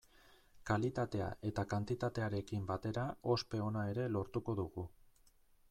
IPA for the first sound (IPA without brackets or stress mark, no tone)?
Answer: k